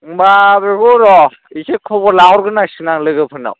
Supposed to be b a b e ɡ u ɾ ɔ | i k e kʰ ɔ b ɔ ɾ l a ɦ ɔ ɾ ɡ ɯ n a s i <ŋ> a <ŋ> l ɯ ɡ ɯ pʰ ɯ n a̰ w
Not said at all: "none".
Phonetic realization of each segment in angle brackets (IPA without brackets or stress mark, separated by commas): n, ŋ